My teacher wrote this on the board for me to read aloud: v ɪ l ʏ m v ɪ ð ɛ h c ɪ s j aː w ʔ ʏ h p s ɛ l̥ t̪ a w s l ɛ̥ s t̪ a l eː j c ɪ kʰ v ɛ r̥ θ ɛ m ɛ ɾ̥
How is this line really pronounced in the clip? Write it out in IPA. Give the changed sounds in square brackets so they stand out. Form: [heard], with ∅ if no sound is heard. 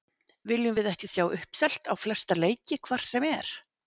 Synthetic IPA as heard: v ɪ l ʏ m v ɪ ð ɛ h c ɪ s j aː w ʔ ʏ h p s ɛ l̥ t̪ a w [f] l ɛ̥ s t̪ a l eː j c ɪ kʰ v [a] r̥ [s] ɛ m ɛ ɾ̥

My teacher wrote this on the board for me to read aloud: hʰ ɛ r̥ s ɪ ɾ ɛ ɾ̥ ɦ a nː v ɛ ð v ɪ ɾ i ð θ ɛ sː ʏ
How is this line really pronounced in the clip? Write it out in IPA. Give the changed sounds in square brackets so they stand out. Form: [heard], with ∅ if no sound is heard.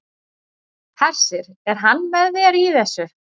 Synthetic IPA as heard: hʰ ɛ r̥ s ɪ ɾ ɛ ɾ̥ ɦ a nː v ɛ ð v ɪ ɾ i [∅] θ ɛ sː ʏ

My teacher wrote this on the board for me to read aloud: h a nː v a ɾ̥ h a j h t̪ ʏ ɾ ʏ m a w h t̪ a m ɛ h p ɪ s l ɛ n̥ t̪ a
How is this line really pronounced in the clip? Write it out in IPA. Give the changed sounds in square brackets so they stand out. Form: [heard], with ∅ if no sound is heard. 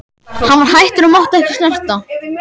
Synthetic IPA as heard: h a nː v a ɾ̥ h a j h t̪ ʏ ɾ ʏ m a w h t̪ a [∅] ɛ h [c] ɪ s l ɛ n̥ t̪ a

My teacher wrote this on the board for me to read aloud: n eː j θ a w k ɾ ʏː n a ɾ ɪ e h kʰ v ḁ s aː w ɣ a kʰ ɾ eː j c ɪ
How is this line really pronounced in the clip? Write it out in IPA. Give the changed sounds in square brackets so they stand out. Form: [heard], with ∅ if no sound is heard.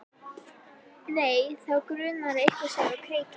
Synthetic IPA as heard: n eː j θ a w k ɾ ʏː n a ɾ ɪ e h [k] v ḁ s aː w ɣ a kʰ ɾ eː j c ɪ

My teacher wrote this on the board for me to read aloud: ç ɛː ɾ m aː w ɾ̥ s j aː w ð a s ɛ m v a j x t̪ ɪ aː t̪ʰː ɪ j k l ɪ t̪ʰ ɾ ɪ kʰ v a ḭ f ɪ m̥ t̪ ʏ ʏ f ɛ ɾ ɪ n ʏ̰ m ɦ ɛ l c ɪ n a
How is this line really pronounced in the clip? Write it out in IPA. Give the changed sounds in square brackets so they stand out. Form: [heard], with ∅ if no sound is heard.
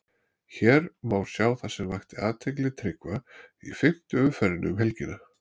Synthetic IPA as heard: ç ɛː ɾ m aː w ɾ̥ s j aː w [θ] a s ɛ m v a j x t̪ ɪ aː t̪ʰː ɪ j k l ɪ t̪ʰ ɾ ɪ [k] v a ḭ f ɪ m̥ t̪ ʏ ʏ f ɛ ɾ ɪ n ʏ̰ m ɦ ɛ l c ɪ n a

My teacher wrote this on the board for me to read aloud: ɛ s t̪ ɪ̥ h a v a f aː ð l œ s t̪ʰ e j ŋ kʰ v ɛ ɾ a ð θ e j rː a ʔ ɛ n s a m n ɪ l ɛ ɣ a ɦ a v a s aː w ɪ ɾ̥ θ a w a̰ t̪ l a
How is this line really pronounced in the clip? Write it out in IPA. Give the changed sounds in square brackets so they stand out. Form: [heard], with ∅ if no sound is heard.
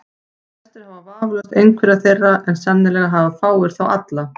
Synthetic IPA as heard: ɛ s t̪ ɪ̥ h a v a [v] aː [v] l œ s [t̪] e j ŋ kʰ v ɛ ɾ a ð θ e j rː a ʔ ɛ n s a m n ɪ l ɛ ɣ a ɦ a v a [f] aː w ɪ ɾ̥ θ a w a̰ t̪ l a

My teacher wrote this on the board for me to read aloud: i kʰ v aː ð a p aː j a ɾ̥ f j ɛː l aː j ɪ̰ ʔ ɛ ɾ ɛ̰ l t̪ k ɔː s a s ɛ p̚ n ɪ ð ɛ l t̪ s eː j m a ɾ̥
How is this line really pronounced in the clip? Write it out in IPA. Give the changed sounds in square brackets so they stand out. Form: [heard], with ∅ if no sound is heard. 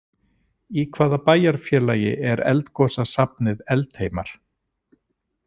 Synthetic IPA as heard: i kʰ v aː ð a p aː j a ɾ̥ f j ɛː l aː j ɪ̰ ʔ ɛ ɾ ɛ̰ l t̪ k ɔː s a s [a] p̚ n ɪ ð ɛ l t̪ [h] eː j m a ɾ̥

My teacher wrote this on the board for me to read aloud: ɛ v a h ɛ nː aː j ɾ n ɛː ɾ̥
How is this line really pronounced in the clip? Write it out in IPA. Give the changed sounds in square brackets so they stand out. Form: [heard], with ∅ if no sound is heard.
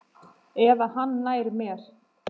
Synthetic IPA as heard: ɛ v a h [a] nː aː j ɾ [m] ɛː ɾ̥

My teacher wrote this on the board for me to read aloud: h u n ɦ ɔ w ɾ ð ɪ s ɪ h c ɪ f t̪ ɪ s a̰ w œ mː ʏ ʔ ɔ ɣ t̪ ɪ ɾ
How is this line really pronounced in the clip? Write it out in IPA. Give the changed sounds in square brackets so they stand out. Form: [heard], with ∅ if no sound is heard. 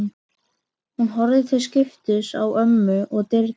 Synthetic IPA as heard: h u n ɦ ɔ [∅] ɾ ð ɪ [θ] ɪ [s] c ɪ f t̪ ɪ s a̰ w œ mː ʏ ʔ ɔ ɣ t̪ ɪ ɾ

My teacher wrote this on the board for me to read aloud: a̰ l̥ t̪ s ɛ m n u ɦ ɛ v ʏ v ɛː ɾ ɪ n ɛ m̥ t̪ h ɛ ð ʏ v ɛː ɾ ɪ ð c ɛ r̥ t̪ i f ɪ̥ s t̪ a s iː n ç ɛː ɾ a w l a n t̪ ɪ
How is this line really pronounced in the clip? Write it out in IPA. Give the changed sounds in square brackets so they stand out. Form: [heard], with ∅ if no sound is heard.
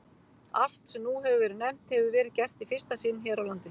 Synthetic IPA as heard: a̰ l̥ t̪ s ɛ m n u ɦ ɛ v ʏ v ɛː ɾ ɪ n ɛ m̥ t̪ h ɛ [v] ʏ v ɛː ɾ ɪ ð c ɛ r̥ t̪ i f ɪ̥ s t̪ a s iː n ç ɛː ɾ a w l a n t̪ ɪ

